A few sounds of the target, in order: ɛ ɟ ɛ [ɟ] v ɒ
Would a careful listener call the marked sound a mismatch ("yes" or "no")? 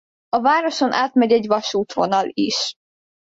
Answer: no